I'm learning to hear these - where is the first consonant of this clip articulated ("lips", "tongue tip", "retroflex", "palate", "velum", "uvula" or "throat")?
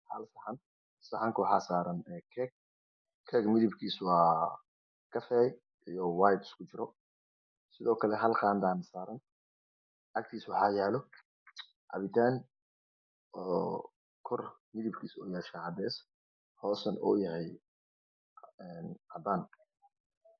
throat